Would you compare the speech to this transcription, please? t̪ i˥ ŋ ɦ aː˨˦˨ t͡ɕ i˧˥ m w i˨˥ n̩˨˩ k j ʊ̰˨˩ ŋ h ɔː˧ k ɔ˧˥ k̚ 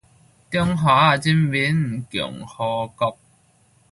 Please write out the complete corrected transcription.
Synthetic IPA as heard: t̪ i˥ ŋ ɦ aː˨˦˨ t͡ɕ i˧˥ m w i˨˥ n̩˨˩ k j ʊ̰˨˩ ŋ h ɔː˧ k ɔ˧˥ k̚